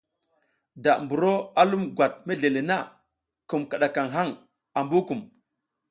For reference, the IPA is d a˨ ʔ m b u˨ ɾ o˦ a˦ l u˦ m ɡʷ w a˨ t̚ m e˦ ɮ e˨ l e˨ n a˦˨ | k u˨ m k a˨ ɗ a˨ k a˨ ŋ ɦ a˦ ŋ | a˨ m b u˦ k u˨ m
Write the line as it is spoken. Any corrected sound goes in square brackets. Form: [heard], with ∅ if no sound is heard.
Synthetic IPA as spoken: d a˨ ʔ m b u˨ ɾ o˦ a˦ l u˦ m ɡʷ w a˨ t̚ m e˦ ɮ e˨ l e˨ n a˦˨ | k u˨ m k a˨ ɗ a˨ k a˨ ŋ ɦ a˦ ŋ | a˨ m b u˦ k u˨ m